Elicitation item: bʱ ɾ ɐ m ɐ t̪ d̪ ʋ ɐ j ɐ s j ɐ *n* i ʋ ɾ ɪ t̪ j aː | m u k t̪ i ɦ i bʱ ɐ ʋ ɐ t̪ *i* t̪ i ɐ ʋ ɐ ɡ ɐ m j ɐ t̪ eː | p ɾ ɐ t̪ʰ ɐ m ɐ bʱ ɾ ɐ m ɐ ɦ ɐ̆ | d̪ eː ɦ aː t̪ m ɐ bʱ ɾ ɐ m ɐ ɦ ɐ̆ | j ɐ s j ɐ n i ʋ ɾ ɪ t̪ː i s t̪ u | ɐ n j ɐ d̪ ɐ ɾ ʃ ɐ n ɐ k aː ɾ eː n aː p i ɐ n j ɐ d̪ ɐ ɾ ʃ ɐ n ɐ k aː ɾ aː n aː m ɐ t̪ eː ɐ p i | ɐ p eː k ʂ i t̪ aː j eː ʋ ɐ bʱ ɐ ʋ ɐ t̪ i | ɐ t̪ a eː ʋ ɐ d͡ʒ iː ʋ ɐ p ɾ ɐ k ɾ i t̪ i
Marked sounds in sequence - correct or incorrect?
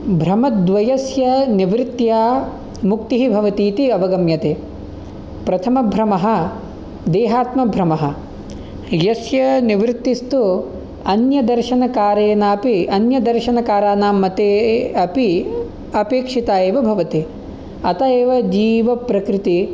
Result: correct, incorrect

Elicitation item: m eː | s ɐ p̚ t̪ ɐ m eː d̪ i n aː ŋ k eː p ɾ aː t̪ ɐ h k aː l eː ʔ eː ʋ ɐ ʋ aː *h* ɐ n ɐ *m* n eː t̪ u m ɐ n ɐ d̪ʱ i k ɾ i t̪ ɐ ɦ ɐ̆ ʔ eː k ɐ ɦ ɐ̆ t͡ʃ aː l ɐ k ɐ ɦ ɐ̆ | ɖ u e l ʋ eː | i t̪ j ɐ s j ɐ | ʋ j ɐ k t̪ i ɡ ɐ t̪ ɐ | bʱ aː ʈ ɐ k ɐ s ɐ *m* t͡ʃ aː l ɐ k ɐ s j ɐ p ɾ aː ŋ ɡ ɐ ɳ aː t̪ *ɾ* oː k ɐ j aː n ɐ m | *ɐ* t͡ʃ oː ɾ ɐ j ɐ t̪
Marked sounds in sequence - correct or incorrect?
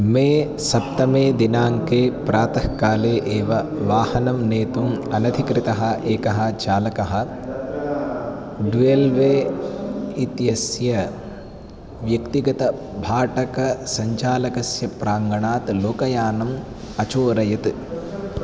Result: correct, correct, incorrect, incorrect, correct

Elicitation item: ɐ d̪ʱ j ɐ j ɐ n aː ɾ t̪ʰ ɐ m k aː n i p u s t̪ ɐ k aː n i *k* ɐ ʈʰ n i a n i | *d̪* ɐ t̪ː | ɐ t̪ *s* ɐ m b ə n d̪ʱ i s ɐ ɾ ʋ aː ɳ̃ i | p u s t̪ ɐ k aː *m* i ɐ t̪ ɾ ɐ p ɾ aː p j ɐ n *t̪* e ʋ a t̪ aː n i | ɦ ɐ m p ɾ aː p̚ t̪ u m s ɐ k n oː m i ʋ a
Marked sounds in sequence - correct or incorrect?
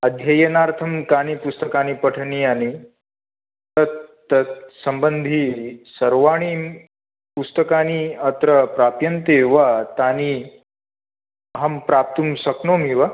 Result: incorrect, incorrect, correct, incorrect, correct

